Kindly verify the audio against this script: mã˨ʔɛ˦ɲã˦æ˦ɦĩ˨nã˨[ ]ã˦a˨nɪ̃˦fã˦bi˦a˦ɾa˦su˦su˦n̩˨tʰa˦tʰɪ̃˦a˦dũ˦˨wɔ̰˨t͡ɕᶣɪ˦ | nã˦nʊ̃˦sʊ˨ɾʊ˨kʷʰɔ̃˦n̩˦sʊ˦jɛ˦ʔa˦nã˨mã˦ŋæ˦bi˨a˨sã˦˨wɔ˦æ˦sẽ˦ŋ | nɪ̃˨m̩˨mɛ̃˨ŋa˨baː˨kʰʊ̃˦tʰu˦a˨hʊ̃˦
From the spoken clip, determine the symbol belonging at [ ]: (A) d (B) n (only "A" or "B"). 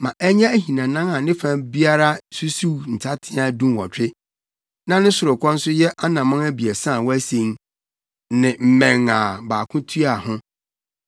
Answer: B